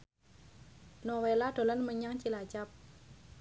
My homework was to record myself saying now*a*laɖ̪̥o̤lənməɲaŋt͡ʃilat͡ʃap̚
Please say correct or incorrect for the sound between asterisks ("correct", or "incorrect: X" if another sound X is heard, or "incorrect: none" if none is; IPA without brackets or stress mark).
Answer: incorrect: e